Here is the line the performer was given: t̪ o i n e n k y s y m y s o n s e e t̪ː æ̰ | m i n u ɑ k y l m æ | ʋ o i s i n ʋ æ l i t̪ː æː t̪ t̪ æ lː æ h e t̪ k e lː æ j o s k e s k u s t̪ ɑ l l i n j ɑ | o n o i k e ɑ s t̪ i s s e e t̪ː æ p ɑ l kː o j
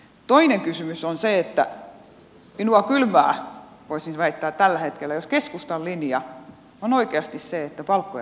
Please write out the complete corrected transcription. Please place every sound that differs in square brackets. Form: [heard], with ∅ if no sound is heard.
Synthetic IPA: t̪ o i n e [ŋ] k y s y m y s o n s e e t̪ː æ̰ | m i n u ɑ k y l m [æː] | ʋ o i s i n ʋ æ [∅] i t̪ː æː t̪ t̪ æ lː æ h e t̪ k e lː æ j o s k e s k u s t̪ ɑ l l i n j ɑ | o n o i k e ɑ s t̪ i s s e e t̪ː æ p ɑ l kː o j

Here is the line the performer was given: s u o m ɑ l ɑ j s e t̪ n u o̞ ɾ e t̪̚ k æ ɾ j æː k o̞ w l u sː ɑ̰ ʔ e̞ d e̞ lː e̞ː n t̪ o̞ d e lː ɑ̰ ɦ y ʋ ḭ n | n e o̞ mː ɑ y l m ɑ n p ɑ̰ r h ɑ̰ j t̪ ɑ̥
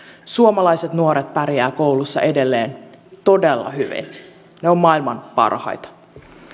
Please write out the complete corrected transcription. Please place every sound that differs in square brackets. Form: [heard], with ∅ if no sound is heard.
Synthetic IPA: s u o m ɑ l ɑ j s e t̪ n u o̞ ɾ e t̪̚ [p] æ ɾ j æː k o̞ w l u sː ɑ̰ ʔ e̞ d e̞ lː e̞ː n t̪ o̞ d e lː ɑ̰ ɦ y ʋ ḭ n | n e o̞ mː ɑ [i] l m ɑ n p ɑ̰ r h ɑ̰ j t̪ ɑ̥

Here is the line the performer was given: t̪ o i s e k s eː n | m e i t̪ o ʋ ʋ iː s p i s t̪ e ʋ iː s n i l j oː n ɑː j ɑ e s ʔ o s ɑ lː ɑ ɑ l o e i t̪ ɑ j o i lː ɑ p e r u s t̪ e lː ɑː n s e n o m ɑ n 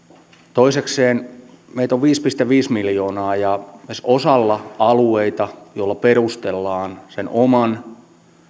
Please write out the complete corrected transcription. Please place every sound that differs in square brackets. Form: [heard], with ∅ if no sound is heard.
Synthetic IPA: t̪ o i s e k s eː n | m e i t̪ o ʋ ʋ iː s p i s t̪ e ʋ iː s [m] i l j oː n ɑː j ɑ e s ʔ o s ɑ lː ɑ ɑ l [u] e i t̪ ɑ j o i lː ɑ p e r u s t̪ e lː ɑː n s e n o m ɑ n

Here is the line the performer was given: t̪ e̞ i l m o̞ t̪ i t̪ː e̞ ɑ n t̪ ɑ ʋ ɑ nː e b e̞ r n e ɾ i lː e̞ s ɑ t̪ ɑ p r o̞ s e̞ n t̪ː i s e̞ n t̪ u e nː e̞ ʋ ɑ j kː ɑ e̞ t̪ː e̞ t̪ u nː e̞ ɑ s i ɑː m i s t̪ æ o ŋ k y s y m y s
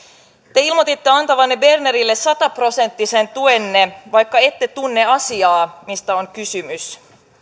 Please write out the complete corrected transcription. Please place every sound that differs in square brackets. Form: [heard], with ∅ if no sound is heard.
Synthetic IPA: t̪ e̞ i l m o̞ t̪ i t̪ː e̞ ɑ n t̪ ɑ ʋ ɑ nː e b e̞ r n e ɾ i lː e̞ s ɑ t̪ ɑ p r o̞ s e̞ n t̪ː i s e̞ n t̪ u e nː e̞ ʋ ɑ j kː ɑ e̞ t̪ː e̞ t̪ u nː e̞ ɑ s i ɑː m i s t̪ æ o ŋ k y s y m y s

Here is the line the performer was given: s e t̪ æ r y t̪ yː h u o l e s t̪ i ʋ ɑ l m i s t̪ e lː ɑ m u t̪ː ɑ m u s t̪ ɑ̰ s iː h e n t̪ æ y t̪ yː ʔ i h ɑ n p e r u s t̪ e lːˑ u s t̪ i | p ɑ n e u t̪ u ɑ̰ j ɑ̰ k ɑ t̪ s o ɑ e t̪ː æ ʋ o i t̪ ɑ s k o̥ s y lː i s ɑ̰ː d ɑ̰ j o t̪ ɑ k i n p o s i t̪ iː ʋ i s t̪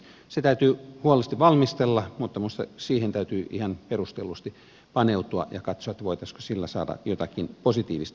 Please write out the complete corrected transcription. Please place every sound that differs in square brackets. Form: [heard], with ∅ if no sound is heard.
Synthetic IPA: s e t̪ æ [∅] y t̪ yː h u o l e s t̪ i ʋ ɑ l m i s t̪ e lː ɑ m u t̪ː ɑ m u s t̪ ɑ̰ s iː h e n t̪ æ y t̪ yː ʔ i h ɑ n p e r u s t̪ e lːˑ u s t̪ i | p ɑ n e u t̪ u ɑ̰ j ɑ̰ k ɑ t̪ s o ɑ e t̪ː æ ʋ o i t̪ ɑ s k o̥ s [i] lː [æ] s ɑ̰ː d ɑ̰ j o t̪ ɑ k i n p o s i t̪ iː ʋ i s t̪

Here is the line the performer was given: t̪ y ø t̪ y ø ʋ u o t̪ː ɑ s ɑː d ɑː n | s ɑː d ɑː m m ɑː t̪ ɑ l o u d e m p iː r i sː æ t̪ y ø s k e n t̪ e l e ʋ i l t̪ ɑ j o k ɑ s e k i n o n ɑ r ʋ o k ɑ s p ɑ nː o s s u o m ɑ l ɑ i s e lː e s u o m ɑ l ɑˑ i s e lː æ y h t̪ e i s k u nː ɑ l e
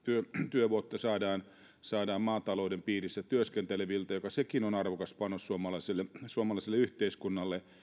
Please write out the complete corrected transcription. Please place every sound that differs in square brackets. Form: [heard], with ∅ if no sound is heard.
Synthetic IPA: t̪ y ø t̪ y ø ʋ u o t̪ː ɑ s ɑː d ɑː n | s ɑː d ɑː m m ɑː t̪ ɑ l o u d e m p iː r i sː æ t̪ y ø s k e n t̪ e l e ʋ i l t̪ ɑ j o k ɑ s e k i n o n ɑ r ʋ o k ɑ s p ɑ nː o s s u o m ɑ l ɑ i s e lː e s u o m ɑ l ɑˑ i s e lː [e] y h t̪ e i s k u nː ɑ [lː] e

